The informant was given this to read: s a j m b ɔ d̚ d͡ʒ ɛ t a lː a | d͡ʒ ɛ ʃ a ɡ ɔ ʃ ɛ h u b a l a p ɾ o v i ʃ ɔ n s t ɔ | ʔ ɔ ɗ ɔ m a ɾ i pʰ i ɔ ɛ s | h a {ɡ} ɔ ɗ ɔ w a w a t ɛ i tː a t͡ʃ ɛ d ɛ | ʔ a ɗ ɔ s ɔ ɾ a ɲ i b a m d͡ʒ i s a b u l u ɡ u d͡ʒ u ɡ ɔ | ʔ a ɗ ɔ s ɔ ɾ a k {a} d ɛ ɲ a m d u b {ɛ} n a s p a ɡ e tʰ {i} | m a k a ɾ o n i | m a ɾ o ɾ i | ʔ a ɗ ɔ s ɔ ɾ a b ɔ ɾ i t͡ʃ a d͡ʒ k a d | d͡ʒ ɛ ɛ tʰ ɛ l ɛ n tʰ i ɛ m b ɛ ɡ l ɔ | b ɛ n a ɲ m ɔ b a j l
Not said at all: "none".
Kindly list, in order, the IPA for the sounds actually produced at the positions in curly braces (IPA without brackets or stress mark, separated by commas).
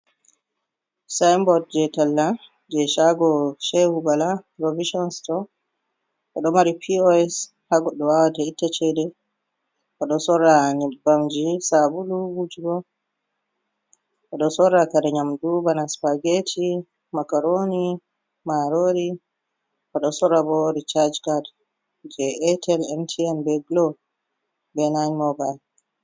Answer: ɡ, a, a, i